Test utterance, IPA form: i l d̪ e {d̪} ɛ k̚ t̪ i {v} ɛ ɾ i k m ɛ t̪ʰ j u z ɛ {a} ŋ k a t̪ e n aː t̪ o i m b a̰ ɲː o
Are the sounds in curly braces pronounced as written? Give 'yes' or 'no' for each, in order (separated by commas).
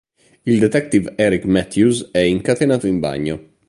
no, yes, no